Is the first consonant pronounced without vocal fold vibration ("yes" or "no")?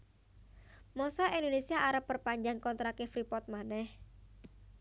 no